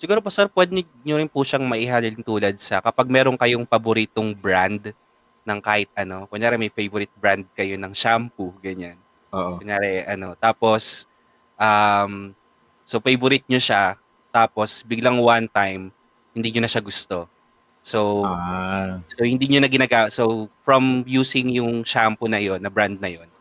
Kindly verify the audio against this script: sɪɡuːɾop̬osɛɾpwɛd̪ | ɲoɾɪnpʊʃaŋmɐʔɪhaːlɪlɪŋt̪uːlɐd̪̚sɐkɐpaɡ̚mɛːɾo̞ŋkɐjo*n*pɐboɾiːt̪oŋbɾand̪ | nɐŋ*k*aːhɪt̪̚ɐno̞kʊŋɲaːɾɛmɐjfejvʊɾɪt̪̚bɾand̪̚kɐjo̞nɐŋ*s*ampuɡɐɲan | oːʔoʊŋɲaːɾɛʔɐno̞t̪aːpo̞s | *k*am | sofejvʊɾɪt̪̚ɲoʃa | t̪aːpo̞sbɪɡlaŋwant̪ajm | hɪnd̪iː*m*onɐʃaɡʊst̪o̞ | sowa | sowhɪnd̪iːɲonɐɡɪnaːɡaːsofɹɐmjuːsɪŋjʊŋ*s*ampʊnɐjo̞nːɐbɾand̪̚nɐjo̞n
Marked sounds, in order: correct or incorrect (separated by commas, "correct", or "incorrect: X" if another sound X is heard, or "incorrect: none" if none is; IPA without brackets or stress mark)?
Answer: incorrect: ŋ, correct, incorrect: ʃ, incorrect: ʔ, incorrect: ɲ, incorrect: ʃ